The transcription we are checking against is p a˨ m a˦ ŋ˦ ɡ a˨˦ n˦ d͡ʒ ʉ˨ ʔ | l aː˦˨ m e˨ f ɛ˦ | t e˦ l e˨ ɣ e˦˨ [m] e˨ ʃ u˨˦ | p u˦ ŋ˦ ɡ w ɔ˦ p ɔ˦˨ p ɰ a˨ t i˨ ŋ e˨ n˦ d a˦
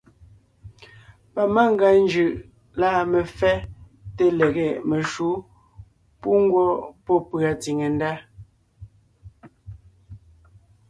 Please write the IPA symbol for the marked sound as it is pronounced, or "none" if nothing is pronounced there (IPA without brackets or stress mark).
m